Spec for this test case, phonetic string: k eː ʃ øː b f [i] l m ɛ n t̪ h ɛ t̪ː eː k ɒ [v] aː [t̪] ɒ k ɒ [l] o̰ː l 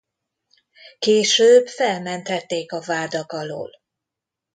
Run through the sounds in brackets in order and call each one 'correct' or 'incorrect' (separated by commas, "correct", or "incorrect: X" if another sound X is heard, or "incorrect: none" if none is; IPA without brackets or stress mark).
incorrect: ɛ, correct, incorrect: d̪, correct